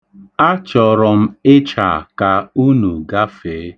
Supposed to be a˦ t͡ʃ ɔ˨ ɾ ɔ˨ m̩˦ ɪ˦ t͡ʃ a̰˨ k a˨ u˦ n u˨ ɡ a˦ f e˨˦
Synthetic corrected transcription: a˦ t͡ʃ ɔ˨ ɾ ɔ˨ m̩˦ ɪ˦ t͡ʃ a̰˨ k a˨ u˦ n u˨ ɡ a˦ f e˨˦